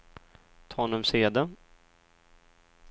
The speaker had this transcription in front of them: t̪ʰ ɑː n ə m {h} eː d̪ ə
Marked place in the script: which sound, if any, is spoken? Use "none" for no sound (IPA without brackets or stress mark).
s